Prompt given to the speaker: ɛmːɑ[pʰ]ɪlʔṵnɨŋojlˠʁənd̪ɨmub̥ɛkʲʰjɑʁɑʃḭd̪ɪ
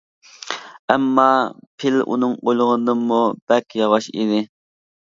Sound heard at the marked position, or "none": pʰ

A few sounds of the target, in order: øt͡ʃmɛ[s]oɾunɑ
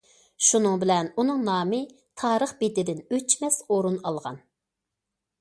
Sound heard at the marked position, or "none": s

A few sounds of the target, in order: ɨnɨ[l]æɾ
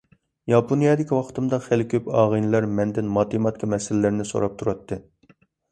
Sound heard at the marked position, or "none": l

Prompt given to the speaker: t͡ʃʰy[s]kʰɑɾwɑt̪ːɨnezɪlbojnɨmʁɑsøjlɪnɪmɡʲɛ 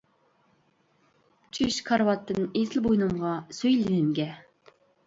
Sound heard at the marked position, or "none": ʃ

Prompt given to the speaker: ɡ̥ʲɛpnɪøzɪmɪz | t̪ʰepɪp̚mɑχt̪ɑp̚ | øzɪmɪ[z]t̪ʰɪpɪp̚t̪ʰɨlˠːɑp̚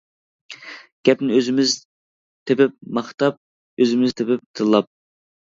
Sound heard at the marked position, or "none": z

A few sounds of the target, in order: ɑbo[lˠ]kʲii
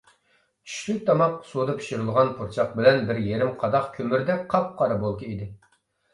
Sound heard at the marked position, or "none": lˠ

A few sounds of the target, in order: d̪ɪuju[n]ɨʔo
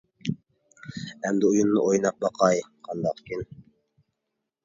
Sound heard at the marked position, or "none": nː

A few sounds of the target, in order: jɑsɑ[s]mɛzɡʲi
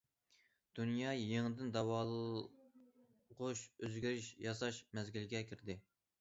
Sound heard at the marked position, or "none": ʃ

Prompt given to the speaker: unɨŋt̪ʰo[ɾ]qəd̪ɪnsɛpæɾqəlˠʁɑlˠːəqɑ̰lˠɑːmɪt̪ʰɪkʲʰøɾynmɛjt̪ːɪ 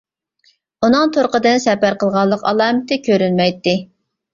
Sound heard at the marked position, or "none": ɾ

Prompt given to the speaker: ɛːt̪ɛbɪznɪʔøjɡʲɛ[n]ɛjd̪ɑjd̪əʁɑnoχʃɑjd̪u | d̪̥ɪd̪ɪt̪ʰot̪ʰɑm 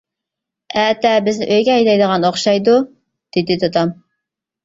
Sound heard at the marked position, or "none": none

